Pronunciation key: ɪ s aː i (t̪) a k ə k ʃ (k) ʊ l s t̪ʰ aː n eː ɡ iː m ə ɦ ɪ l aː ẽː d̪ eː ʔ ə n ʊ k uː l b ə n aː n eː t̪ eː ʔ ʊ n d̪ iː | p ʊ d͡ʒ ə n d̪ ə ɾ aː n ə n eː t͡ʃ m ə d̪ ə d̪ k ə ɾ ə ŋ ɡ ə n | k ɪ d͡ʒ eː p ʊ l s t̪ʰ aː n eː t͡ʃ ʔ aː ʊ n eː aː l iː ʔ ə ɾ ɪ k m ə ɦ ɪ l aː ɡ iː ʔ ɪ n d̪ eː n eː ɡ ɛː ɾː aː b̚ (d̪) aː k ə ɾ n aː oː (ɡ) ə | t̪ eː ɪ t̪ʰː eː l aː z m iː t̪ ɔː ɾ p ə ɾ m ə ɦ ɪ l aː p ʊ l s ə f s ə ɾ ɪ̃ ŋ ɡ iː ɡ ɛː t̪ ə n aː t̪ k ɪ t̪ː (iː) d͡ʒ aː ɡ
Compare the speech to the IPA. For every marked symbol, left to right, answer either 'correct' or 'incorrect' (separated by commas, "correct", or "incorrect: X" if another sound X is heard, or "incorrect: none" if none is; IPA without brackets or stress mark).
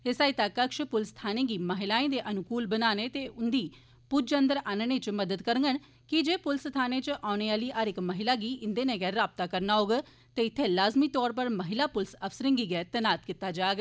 correct, incorrect: p, incorrect: t̪, correct, incorrect: aː